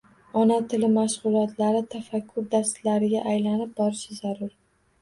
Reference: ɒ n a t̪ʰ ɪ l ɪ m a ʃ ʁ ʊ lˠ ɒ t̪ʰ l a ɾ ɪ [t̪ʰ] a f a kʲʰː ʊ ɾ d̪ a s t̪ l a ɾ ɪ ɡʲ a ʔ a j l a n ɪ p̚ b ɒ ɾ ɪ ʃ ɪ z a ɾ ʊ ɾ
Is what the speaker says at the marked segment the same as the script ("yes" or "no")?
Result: yes